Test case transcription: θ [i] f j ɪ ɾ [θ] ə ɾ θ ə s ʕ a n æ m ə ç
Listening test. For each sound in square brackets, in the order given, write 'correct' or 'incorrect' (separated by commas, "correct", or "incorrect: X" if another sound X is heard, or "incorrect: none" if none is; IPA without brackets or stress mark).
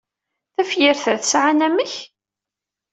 incorrect: æ, correct